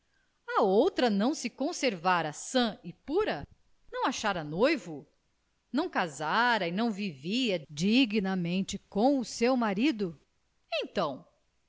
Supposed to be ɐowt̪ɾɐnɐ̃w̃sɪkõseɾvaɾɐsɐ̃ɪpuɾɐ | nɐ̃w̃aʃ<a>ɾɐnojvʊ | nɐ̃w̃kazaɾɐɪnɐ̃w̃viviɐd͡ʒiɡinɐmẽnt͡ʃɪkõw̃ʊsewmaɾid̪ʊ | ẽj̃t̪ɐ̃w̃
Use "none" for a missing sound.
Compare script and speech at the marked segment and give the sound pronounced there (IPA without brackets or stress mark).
a